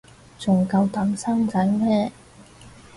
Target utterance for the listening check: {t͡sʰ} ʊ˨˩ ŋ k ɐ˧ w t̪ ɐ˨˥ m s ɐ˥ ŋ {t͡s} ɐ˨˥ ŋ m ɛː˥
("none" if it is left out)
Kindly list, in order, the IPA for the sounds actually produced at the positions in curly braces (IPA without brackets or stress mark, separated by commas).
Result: t͡s, t͡s